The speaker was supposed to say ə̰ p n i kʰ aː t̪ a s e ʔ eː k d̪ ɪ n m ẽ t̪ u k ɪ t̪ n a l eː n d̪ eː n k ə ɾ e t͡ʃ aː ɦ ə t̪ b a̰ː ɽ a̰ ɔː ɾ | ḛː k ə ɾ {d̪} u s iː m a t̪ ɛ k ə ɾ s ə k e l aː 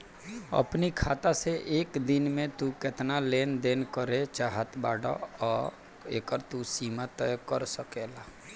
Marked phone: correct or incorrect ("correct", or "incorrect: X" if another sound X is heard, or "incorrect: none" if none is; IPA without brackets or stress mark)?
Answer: incorrect: t̪